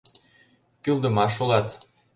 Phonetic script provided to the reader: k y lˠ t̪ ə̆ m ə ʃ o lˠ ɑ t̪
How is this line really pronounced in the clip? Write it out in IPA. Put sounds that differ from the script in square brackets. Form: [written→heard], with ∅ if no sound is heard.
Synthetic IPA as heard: k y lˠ [t̪→d̪] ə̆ m [ə→ɑ] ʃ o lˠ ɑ t̪

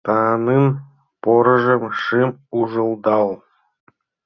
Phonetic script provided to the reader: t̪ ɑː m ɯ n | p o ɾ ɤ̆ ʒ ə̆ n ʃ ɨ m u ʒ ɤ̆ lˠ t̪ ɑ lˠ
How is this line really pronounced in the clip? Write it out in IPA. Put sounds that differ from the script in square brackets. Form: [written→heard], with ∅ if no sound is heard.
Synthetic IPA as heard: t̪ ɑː [m→n] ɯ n | p o ɾ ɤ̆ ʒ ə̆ [n→m] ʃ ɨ m u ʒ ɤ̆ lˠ [t̪→d̪] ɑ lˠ

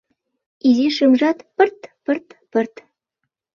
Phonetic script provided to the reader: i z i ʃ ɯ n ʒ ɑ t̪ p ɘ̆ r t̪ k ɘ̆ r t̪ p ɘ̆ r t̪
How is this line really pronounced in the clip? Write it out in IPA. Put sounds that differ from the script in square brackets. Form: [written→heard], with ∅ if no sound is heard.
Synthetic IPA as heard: i z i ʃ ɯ [n→m] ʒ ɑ t̪ p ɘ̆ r t̪ [k→p] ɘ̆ r t̪ p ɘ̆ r t̪

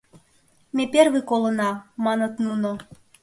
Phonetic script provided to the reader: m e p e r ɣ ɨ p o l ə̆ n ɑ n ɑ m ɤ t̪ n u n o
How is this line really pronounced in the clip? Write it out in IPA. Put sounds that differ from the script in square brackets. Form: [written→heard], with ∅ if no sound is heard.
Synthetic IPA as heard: m e p e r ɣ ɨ [p→k] o l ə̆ n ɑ [n→m] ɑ [m→n] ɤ t̪ n u n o

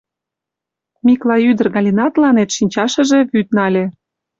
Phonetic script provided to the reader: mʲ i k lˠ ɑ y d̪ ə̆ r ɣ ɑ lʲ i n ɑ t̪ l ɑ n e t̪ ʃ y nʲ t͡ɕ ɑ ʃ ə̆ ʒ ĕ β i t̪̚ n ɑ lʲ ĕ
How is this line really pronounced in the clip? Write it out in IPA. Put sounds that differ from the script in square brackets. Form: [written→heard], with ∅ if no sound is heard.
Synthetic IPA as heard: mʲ i k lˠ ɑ y d̪ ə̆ r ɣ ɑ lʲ i n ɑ t̪ l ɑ n e t̪ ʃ [y→i] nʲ t͡ɕ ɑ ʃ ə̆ ʒ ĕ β [i→y] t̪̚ n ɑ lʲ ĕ

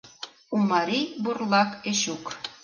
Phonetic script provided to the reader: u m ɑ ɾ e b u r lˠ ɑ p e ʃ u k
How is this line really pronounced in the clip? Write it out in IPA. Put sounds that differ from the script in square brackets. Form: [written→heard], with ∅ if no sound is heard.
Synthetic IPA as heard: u m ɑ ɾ [e→i] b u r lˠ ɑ [p→k] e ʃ u k

